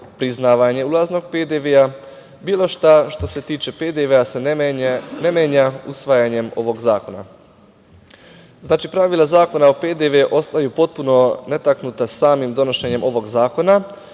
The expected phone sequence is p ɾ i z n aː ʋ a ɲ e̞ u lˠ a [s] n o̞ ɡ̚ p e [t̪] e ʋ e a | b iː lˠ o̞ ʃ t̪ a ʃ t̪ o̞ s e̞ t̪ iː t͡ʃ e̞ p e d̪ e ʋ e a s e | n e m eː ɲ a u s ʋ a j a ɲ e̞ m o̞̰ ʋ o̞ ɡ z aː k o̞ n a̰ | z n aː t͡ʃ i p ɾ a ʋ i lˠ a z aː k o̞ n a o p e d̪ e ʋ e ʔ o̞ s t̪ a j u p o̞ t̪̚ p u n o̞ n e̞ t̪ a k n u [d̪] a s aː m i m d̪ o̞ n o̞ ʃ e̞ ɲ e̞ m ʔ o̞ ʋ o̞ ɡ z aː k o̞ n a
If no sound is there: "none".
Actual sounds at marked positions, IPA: z, d̪, t̪

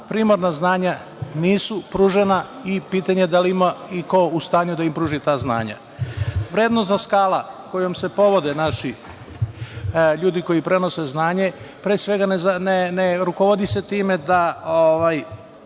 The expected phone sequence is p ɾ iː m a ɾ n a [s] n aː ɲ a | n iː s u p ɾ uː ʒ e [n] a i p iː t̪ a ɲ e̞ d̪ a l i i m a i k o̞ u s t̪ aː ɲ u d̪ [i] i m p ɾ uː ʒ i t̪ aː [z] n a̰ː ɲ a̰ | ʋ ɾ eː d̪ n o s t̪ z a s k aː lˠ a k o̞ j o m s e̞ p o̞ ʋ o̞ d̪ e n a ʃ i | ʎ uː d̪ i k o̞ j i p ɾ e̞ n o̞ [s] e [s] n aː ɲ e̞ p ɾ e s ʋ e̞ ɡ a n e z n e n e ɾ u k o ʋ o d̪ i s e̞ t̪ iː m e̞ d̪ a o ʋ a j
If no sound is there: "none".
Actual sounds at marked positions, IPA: z, n, a, z, s, z

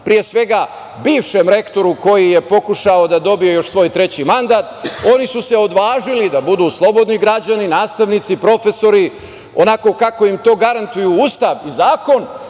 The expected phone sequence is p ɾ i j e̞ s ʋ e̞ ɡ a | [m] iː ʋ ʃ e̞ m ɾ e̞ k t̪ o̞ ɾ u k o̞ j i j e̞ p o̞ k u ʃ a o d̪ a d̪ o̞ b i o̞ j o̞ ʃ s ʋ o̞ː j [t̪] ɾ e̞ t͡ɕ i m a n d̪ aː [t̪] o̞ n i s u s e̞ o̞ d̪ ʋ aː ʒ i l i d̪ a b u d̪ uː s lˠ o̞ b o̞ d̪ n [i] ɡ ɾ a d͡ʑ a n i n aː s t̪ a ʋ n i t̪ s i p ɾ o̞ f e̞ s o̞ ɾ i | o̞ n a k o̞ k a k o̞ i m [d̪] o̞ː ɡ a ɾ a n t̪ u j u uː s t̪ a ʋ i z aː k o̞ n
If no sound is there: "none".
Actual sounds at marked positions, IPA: b, t̪, t̪, i, t̪

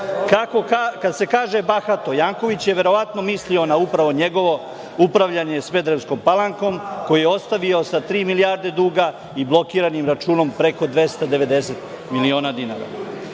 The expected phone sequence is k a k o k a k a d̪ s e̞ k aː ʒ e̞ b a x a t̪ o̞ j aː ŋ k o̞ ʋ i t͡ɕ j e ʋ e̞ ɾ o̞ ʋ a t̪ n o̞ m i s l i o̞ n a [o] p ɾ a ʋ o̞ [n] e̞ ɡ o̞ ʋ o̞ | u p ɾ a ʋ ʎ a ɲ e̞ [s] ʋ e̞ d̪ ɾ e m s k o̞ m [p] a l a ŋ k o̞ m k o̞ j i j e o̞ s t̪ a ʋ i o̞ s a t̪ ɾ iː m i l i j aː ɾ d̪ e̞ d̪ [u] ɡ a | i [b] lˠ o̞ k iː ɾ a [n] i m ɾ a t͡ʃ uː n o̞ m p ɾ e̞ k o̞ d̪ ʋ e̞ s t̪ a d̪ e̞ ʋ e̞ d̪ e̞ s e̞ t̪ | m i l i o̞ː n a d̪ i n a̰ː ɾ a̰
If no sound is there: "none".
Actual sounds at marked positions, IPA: u, ɲ, s, p, uː, b, n

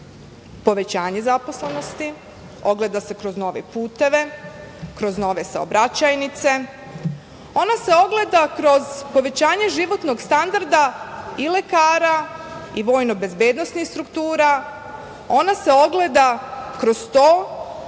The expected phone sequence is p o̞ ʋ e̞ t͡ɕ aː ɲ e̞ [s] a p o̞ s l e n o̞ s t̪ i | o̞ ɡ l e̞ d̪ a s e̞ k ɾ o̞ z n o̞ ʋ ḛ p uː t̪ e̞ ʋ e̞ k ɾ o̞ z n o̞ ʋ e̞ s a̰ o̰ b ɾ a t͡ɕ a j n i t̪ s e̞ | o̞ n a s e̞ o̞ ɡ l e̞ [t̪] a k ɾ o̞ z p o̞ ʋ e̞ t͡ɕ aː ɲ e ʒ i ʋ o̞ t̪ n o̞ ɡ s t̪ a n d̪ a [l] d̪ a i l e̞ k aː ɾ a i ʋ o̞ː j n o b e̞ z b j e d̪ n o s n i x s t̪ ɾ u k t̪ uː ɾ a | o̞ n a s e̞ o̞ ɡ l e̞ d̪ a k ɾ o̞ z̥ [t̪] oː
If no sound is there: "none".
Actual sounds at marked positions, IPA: z, d̪, ɾ, t̪

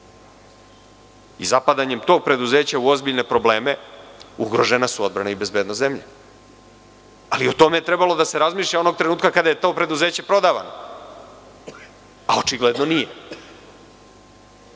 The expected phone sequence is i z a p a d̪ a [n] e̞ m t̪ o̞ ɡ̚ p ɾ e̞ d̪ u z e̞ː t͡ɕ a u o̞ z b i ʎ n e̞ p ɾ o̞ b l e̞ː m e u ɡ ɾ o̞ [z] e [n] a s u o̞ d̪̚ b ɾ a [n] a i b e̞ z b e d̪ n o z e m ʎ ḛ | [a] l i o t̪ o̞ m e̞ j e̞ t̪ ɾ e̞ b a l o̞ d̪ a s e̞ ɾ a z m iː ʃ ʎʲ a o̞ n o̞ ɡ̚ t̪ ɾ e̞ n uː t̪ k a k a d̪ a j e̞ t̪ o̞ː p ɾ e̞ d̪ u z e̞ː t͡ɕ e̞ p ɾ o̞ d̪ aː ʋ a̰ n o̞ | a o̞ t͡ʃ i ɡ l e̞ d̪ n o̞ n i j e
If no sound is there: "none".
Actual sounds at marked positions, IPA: ɲ, ʒ, n, n, a

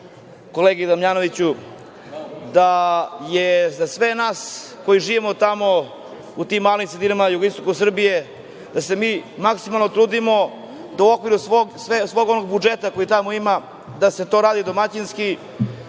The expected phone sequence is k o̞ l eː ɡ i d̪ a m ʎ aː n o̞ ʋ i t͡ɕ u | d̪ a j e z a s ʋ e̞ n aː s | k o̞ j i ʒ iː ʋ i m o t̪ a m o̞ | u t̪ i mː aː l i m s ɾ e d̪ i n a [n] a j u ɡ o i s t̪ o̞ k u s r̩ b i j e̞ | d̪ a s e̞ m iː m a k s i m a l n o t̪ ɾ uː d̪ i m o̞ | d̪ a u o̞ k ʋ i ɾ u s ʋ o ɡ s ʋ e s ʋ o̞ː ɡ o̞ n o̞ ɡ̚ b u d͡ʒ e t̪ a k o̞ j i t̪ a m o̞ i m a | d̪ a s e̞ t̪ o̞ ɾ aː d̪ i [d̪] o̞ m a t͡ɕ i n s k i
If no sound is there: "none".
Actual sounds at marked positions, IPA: m, d̪

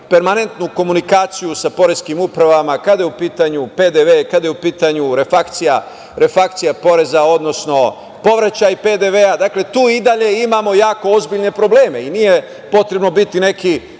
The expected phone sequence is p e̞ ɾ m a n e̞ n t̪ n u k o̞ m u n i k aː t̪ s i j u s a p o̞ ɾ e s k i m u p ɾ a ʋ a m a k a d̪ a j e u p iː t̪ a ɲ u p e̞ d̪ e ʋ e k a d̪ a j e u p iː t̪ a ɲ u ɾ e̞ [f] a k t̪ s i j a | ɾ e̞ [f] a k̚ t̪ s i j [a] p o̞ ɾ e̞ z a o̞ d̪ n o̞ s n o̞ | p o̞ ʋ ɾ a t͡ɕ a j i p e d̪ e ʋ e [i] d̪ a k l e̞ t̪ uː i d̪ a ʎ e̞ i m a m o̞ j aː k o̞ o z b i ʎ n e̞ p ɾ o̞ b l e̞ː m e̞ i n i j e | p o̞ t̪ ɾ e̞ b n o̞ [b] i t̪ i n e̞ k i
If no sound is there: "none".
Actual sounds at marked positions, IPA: f, f, a, a, b

